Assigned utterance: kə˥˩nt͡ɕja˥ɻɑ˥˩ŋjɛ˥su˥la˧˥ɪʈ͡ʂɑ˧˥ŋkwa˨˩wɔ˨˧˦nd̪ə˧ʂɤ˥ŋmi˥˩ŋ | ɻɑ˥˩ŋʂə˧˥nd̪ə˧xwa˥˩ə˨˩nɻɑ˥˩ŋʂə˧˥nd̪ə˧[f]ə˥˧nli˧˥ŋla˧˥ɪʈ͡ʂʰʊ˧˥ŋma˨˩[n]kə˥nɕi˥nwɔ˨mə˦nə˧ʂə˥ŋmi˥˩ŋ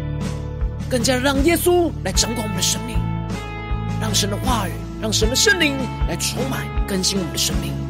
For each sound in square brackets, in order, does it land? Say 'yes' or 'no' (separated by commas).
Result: no, yes